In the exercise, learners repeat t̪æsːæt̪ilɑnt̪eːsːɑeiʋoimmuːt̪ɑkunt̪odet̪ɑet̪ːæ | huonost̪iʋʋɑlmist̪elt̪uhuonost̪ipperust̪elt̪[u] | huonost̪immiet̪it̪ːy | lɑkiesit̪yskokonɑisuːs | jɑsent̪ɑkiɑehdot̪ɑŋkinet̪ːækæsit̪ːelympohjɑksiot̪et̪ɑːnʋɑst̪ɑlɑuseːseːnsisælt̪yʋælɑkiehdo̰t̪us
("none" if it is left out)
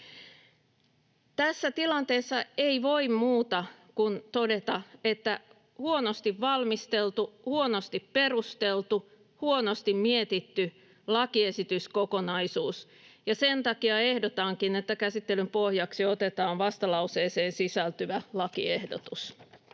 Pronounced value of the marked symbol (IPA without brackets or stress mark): u